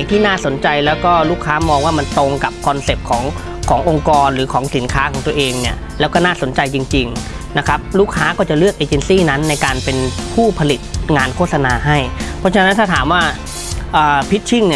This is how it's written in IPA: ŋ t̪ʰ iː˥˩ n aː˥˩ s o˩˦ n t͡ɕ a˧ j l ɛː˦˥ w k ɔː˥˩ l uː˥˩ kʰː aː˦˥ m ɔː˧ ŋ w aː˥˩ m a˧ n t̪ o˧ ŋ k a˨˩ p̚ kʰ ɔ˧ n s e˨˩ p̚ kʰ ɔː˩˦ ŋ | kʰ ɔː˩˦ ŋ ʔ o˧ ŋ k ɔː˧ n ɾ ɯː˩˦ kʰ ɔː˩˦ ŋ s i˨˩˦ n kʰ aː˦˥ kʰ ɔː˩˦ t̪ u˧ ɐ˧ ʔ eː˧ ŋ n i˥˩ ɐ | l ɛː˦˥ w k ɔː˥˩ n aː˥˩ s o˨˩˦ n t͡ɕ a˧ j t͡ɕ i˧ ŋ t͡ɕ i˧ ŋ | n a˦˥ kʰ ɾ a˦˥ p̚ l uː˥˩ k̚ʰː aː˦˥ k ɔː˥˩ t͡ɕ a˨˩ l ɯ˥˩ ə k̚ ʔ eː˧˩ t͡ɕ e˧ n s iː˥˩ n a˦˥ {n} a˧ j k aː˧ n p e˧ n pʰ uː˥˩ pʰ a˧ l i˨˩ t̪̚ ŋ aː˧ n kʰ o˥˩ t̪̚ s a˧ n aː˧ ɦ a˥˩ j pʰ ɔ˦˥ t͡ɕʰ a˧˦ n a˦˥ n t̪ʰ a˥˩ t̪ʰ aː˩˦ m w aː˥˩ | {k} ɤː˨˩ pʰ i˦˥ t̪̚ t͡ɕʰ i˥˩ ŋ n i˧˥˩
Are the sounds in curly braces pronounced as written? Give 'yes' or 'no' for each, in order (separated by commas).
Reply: no, no